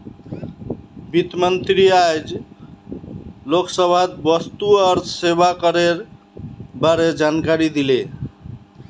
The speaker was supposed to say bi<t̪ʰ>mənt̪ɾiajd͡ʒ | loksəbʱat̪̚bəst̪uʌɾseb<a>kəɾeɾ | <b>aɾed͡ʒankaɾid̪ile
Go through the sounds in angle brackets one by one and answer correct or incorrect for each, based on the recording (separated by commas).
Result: incorrect, correct, correct